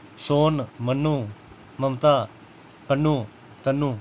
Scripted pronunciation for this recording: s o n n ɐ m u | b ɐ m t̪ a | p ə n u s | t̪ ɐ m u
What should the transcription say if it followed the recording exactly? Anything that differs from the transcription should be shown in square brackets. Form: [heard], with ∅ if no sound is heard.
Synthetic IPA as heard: s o n [m] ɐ [n] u | [m] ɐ m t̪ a | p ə n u [∅] | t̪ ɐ [n] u